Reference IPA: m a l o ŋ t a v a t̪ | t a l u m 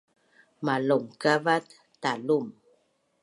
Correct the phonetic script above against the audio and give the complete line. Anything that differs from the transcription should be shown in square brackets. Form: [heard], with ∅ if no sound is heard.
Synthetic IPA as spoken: m a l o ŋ [k] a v a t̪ | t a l u m